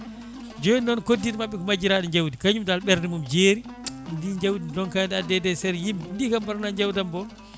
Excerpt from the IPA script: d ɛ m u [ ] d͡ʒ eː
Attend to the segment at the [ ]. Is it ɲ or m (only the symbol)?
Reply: m